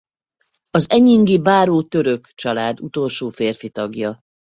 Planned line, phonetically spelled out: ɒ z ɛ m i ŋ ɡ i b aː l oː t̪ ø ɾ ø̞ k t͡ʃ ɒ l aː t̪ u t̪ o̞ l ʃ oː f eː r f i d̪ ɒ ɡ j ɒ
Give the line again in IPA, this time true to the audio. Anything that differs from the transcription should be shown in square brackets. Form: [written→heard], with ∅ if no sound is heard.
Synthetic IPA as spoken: ɒ z ɛ [m→ɲ] i ŋ ɡ i b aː [l→ɾ] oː t̪ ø ɾ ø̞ k t͡ʃ ɒ l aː [t̪→d̪] u t̪ o̞ l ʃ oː f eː r f i [d̪→t̪] ɒ ɡ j ɒ